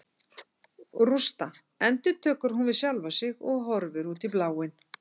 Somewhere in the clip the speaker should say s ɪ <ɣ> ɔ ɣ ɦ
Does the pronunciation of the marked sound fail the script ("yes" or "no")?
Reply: no